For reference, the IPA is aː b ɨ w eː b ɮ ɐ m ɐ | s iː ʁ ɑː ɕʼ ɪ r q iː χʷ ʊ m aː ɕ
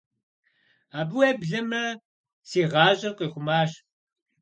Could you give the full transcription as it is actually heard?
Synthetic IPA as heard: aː b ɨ w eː b ɮ ɐ m ɐ | s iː ʁ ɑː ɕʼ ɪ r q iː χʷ ʊ m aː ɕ